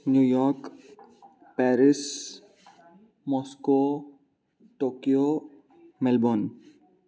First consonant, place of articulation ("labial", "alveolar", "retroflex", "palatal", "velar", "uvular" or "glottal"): alveolar